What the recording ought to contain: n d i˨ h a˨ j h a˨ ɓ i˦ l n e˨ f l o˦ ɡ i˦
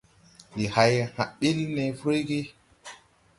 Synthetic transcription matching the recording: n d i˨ h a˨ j h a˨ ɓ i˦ l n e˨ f ɾ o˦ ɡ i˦

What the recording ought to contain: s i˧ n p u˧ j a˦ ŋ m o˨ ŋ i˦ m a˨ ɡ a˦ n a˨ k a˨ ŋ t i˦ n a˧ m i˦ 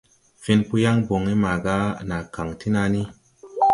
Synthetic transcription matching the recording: f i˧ n p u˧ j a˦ ŋ b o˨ ŋ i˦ m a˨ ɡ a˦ n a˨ k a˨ ŋ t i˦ n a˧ n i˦

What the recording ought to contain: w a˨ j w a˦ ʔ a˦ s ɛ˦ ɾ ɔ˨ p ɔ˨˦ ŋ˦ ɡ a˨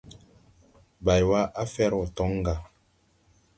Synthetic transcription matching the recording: b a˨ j w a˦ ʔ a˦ f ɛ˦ ɾ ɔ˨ t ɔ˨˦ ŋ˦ ɡ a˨

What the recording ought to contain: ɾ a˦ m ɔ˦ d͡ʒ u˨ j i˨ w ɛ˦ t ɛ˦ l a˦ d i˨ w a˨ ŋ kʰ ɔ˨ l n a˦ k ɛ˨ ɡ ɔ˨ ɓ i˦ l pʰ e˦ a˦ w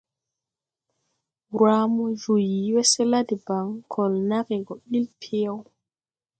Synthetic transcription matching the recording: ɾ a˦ m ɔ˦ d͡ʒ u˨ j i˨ w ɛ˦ s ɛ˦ l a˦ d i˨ b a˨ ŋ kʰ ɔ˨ l n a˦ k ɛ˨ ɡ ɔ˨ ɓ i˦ l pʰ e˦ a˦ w

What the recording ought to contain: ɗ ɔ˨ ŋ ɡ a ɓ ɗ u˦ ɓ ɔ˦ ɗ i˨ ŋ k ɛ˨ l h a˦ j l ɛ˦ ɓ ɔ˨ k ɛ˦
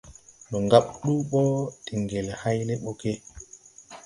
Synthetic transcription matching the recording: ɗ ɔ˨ ŋ ɡ a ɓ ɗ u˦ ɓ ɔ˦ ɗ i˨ ŋ ɡ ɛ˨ l h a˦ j l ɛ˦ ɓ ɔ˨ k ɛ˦

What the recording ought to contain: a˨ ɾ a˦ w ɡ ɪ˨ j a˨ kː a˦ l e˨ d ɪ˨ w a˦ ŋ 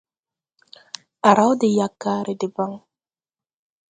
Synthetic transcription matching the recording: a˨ ɾ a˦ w d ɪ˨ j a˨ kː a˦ ɾ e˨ d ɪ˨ b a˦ ŋ

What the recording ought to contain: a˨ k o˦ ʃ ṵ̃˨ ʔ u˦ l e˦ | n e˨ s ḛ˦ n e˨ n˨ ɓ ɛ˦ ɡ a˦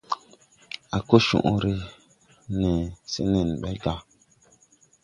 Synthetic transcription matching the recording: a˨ k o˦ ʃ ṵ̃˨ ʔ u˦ ɾ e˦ | n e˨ s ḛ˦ n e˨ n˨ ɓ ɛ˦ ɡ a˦

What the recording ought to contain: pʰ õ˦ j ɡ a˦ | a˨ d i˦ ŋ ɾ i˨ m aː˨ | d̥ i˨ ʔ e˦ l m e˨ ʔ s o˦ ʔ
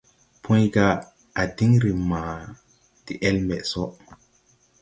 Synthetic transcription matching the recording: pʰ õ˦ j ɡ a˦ | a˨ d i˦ ŋ ɾ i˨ m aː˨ | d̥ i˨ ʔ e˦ l m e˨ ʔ s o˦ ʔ

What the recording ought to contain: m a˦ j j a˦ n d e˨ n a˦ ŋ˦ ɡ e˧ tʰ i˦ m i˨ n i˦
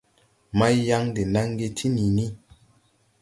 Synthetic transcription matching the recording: m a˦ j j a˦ ŋ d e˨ n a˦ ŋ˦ ɡ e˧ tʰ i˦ n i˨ n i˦

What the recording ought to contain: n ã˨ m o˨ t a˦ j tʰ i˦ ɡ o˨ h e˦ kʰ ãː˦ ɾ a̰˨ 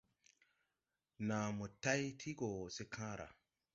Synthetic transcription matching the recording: n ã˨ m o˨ t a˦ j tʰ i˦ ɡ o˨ s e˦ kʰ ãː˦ ɾ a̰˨

